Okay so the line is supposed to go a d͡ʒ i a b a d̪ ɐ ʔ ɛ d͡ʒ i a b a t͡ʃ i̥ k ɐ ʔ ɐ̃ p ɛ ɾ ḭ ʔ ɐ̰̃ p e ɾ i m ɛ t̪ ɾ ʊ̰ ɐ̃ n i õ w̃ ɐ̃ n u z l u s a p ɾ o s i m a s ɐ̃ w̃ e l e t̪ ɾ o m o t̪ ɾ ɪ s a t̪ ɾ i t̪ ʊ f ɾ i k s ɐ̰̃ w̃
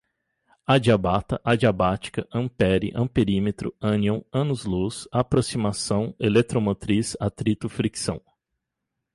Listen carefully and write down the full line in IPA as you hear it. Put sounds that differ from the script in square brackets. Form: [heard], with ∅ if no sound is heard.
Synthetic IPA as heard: a d͡ʒ i a b a [t̪] ɐ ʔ [a] d͡ʒ i a b a t͡ʃ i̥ k ɐ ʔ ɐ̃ p ɛ ɾ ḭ ʔ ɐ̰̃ p e ɾ i m [e] t̪ ɾ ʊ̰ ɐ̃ n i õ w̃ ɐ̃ n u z l u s a p ɾ o s i m a s ɐ̃ w̃ e l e t̪ ɾ o m o t̪ ɾ [i] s a t̪ ɾ i t̪ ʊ f ɾ i k s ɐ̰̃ w̃